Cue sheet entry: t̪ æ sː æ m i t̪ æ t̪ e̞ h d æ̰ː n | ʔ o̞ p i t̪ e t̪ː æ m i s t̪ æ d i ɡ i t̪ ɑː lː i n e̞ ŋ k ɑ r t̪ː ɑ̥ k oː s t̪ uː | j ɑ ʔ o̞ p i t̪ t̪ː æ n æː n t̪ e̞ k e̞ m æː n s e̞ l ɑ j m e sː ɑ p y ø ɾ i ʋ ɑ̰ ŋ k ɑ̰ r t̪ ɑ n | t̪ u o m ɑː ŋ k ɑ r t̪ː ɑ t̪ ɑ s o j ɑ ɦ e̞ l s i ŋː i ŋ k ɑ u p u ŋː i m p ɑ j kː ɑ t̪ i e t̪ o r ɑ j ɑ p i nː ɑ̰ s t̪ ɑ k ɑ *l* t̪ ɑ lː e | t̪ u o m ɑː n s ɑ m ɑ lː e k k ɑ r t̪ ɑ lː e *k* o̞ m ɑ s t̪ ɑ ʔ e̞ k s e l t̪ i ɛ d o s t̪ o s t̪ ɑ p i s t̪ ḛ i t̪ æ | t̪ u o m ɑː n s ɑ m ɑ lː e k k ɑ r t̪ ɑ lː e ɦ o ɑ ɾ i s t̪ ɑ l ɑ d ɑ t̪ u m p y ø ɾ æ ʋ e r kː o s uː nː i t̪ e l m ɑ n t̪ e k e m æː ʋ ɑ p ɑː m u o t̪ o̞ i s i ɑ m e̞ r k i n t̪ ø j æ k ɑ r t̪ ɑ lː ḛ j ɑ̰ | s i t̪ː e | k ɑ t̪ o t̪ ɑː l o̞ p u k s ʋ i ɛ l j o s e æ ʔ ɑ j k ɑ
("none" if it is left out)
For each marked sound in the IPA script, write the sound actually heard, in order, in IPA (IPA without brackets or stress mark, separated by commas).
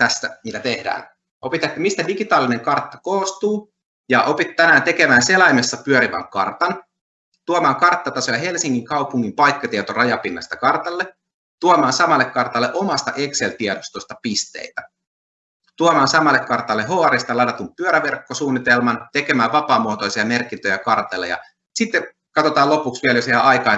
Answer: r, ʔ